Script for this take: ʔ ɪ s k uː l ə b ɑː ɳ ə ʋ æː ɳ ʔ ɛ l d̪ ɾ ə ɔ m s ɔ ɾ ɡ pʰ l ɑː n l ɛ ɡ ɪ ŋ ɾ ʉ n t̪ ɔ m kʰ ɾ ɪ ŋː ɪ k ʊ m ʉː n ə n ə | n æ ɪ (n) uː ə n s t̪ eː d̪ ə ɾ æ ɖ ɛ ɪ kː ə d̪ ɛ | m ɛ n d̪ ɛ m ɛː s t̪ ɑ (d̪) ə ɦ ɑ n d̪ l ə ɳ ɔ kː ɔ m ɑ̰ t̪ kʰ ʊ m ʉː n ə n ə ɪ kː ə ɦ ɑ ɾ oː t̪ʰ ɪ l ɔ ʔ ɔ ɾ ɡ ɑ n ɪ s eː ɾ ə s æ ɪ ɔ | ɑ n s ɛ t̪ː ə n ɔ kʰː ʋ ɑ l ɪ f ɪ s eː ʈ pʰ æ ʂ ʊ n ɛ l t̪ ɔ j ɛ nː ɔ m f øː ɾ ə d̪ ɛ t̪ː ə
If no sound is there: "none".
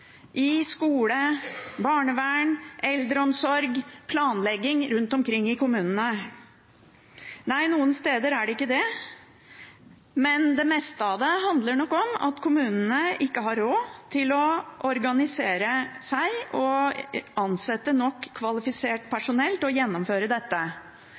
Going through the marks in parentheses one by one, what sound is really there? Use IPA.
n, d̪

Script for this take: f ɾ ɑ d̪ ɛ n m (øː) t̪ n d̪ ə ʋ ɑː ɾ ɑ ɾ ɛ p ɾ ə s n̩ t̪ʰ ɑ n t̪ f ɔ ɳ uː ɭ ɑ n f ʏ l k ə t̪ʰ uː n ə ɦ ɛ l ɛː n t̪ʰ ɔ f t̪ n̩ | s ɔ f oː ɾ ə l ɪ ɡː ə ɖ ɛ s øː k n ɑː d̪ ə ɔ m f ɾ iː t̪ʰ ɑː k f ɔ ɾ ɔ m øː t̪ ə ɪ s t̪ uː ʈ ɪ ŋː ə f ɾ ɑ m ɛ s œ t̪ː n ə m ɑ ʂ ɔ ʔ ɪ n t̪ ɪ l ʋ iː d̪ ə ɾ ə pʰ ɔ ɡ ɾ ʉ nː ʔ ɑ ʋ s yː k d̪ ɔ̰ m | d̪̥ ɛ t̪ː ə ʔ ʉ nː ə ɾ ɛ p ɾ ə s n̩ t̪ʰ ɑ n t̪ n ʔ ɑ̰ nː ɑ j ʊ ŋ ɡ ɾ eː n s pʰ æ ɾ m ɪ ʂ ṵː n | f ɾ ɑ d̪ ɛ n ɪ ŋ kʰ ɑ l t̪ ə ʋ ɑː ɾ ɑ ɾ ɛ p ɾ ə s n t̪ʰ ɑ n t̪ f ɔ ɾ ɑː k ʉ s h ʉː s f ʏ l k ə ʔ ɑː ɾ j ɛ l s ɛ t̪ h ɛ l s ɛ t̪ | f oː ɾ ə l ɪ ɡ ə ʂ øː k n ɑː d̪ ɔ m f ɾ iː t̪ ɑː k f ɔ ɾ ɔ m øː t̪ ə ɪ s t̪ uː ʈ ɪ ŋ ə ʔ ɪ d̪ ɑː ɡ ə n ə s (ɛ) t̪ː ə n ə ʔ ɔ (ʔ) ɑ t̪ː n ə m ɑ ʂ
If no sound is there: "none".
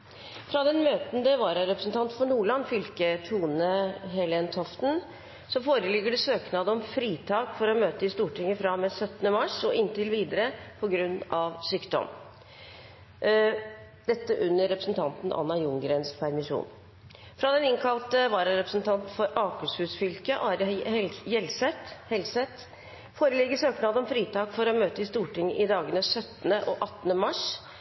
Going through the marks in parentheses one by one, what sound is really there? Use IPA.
øː, œ, ʔ

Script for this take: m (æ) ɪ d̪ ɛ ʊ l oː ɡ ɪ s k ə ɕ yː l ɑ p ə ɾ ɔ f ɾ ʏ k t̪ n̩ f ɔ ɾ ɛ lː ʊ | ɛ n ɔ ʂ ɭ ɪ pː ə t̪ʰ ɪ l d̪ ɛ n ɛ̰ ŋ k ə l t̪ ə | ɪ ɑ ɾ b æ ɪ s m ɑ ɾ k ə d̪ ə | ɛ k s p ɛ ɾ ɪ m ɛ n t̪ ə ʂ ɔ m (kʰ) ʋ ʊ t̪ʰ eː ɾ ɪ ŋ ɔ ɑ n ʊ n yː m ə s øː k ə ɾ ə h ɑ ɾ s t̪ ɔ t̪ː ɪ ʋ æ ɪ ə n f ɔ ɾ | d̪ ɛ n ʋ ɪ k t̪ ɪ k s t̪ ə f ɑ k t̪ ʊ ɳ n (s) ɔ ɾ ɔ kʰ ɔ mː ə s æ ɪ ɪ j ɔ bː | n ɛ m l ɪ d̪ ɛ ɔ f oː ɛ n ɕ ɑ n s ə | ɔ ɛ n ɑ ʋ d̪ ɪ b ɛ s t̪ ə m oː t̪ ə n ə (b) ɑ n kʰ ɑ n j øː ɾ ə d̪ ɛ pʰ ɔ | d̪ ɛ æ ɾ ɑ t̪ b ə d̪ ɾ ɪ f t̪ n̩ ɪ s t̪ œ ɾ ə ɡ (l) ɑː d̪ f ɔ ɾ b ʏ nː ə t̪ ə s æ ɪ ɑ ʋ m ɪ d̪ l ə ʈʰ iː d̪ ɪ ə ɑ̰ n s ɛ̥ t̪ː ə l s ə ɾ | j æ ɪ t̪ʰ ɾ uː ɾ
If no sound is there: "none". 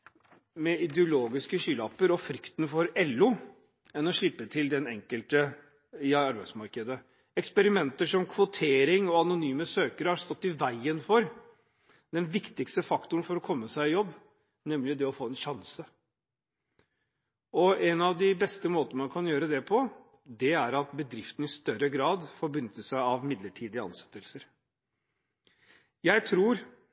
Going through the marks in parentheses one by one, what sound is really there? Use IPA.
ɛ, kʰ, f, m, ɾ

